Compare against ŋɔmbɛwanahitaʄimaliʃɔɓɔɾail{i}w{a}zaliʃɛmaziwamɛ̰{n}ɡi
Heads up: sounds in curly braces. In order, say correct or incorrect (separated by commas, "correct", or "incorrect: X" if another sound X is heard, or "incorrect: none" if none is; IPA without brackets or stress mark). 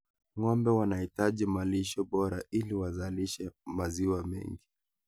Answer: correct, correct, incorrect: ŋ